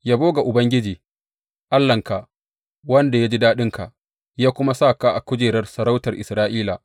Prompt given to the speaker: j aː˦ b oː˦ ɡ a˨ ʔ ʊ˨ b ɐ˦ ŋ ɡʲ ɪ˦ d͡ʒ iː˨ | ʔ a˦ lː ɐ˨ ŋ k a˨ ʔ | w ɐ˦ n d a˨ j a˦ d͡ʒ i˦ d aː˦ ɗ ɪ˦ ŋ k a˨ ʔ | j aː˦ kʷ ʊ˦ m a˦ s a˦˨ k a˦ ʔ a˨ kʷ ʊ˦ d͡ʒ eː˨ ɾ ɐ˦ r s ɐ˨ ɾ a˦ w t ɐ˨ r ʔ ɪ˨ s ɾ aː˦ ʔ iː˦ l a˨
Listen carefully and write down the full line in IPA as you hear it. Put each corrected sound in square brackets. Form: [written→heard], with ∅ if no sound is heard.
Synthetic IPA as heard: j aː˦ b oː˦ ɡ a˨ ʔ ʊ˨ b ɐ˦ ŋ ɡʲ ɪ˦ d͡ʒ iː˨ | ʔ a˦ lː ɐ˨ ŋ k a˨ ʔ | w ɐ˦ n d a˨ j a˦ d͡ʒ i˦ d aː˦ ɗ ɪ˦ ŋ k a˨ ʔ | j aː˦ kʷ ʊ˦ m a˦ s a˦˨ k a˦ ʔ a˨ kʷ ʊ˦ d͡ʒ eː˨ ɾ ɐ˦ r s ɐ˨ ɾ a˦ w t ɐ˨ r ʔ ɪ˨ s ɾ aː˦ ʔ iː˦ l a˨